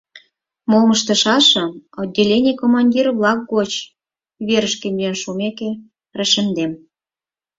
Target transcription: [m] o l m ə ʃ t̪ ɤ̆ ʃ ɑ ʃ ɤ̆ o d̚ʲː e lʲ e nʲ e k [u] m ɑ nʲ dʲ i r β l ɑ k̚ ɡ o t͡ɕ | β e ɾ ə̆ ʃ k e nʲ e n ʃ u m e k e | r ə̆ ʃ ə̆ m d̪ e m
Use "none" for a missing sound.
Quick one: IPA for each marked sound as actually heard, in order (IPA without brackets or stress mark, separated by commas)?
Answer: m, o